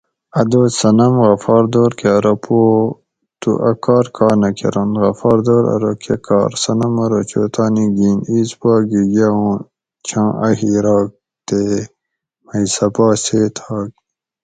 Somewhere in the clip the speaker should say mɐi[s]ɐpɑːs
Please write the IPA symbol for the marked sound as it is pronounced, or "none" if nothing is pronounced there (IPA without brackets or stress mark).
s